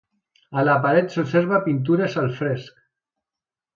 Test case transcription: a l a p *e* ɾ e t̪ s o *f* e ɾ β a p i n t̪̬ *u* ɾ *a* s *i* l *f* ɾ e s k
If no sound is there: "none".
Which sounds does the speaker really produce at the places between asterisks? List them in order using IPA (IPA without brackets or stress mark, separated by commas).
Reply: a, s, u, e, a, f